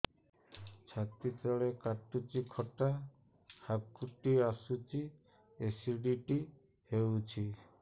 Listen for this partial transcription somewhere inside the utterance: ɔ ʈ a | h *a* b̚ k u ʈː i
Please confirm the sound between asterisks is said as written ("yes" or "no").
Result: yes